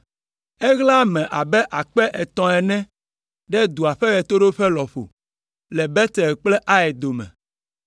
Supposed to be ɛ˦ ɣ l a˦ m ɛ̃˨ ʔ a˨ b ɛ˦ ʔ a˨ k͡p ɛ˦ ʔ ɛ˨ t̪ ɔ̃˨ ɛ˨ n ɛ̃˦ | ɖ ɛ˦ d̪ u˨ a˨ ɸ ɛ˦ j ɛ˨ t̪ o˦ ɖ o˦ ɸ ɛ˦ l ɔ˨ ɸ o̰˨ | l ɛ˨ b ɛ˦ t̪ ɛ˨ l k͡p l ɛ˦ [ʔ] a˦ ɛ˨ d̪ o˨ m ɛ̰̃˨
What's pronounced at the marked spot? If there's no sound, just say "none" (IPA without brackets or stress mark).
ʔ